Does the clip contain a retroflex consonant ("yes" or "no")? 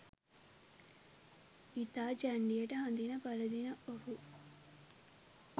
yes